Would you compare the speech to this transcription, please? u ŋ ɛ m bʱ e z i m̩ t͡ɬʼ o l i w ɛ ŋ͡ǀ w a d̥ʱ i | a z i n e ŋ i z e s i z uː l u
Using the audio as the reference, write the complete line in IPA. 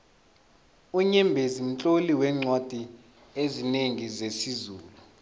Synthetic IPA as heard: u ɲ ɛ m bʱ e z i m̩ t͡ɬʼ o l i w ɛ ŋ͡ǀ w a d̥ʱ i | e z i n e ŋ i z e s i z uː l u